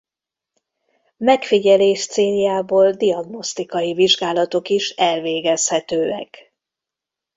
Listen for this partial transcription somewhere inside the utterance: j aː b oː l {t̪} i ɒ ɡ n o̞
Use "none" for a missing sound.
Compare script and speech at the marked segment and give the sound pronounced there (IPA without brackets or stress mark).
d̪